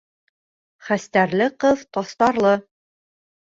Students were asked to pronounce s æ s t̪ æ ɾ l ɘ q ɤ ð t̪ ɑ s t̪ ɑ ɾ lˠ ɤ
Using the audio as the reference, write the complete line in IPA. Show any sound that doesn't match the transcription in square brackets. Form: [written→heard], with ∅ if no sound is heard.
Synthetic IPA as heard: [s→χ] æ s t̪ æ ɾ l ɘ q ɤ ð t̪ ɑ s t̪ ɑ ɾ lˠ ɤ